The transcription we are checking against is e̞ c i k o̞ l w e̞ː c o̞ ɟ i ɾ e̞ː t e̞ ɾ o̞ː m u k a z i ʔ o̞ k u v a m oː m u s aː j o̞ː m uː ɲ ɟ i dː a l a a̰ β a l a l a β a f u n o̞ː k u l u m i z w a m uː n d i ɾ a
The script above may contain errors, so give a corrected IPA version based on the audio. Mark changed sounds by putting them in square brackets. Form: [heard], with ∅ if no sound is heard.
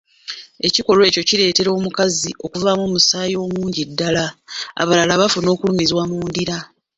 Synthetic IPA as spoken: e̞ c i k o̞ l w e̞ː c o̞ [c] i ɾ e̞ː t e̞ ɾ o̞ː m u k a z i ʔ o̞ k u v a m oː m u s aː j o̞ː m uː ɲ ɟ i dː a l a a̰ β a l a l a β a f u n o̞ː k u l u m i z w a m uː n d i ɾ a